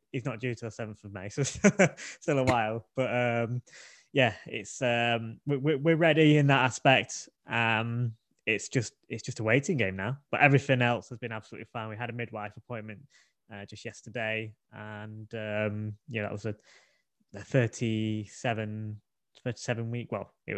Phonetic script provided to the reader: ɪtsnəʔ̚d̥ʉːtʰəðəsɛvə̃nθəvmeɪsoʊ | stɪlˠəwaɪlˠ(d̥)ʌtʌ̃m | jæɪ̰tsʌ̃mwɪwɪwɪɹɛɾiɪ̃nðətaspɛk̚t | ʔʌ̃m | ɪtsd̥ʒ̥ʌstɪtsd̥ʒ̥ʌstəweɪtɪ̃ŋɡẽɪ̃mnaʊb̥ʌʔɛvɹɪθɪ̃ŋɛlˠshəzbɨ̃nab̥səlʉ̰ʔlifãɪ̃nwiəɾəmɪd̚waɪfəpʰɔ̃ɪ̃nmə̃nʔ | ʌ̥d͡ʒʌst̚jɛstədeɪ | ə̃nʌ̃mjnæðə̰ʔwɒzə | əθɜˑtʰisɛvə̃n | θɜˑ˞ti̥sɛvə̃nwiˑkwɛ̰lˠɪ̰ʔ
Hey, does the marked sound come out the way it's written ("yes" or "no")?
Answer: no